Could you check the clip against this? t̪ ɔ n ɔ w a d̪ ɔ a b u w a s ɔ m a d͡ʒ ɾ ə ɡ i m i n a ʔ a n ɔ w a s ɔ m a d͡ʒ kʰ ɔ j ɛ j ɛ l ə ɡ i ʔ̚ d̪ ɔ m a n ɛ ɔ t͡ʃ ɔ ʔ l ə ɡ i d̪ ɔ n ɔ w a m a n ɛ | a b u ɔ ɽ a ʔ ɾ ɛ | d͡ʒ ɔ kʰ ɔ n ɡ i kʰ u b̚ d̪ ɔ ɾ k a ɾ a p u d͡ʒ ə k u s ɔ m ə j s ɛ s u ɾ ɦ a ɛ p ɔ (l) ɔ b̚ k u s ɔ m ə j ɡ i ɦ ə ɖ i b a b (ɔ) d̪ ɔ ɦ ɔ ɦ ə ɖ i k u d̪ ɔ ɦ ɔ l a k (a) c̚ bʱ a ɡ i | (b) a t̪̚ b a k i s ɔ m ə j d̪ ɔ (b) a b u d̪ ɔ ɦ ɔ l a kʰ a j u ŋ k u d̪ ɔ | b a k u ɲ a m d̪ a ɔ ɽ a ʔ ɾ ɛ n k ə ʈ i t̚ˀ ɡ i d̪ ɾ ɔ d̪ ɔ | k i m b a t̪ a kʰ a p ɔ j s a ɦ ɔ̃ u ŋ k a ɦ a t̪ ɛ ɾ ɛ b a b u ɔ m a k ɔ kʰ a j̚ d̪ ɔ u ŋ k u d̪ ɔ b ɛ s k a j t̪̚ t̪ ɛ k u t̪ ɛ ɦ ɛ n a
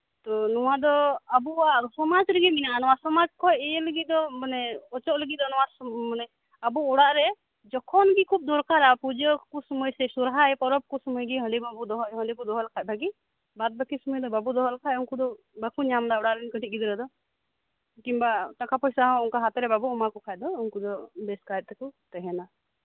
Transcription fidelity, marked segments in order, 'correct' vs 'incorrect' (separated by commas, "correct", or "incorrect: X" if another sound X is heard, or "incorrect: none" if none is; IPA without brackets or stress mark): incorrect: ɾ, incorrect: u, correct, correct, correct